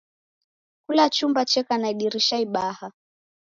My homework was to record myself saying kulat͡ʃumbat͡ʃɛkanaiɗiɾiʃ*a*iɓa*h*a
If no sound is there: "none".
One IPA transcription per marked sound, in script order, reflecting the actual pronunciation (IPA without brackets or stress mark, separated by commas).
a, h